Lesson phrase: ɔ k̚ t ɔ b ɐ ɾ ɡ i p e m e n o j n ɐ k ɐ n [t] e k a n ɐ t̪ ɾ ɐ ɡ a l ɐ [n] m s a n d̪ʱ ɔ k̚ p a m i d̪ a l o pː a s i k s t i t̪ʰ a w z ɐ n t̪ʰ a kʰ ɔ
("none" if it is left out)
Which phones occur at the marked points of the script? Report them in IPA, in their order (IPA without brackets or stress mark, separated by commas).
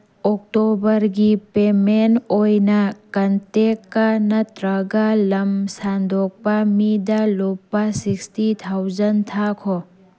t, none